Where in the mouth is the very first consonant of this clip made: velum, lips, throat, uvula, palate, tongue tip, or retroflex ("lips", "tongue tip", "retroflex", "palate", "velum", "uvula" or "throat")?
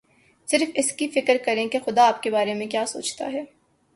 tongue tip